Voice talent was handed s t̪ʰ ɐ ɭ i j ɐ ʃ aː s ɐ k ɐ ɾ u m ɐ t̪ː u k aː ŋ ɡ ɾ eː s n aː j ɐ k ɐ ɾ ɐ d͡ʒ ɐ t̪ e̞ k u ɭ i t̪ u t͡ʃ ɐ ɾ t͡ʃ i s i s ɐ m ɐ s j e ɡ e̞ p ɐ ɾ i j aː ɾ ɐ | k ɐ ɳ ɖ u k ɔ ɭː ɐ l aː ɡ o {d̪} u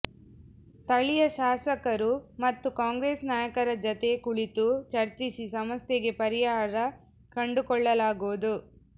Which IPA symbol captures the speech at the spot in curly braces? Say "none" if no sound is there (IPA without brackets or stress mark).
d̪